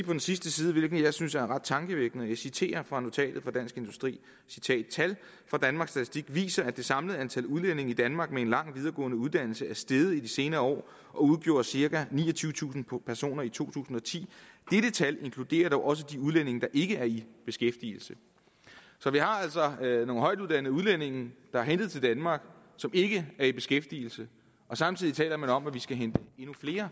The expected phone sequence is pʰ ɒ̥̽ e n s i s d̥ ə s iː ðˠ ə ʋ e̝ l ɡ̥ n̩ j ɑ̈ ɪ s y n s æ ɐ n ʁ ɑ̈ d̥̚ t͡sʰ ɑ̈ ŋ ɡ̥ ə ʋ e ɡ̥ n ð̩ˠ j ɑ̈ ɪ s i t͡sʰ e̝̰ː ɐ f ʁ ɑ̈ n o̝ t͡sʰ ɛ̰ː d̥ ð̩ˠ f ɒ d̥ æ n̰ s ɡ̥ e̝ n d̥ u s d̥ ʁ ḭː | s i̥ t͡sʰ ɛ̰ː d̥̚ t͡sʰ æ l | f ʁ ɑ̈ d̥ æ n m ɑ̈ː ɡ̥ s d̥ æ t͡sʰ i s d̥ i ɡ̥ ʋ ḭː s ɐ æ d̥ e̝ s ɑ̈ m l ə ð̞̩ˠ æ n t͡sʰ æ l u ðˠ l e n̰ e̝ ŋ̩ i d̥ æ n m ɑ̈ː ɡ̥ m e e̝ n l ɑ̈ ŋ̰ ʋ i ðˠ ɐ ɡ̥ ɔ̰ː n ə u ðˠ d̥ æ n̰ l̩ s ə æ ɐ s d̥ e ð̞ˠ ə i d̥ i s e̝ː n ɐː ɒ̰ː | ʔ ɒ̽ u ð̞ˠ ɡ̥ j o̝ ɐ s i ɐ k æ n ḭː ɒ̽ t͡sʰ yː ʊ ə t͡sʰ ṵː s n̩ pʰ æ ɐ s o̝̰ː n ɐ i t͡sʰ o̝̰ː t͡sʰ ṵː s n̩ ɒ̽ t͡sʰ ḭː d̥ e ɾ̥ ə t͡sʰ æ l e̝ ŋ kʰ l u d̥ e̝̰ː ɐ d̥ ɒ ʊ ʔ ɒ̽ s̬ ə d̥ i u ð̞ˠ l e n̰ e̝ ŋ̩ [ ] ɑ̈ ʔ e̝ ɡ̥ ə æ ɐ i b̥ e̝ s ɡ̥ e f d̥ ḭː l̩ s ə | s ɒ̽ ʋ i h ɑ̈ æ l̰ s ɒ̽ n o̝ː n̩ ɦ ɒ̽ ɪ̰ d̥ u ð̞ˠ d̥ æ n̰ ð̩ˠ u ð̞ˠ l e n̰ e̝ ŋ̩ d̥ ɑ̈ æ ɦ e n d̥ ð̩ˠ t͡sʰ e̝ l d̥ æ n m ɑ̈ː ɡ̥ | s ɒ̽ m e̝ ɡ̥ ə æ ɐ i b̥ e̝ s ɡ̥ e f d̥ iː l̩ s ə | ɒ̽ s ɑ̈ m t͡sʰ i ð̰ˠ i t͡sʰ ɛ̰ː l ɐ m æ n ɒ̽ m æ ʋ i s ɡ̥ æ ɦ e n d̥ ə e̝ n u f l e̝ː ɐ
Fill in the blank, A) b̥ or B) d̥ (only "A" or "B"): B